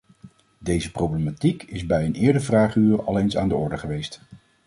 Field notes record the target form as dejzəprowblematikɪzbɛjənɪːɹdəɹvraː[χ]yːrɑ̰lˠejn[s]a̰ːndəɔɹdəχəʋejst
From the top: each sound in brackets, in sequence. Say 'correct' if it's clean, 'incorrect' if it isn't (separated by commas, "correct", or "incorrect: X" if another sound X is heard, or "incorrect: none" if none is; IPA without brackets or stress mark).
correct, correct